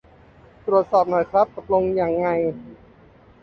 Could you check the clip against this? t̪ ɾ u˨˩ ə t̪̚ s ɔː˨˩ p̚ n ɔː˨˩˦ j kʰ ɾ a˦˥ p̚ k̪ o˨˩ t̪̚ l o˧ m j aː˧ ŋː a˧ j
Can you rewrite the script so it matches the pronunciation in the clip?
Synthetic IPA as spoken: t̪ ɾ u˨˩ ə t̪̚ s ɔː˨˩ p̚ n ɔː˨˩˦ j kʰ ɾ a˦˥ p̚ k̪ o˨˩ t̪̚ l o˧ ŋ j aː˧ ŋː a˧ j